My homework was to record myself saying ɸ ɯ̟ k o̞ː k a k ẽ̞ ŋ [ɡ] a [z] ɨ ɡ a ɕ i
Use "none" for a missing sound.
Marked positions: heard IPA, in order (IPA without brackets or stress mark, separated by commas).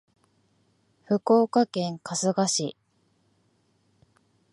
k, s